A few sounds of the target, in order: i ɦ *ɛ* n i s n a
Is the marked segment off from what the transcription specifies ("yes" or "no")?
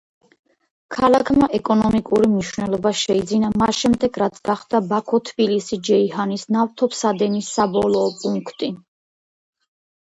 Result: yes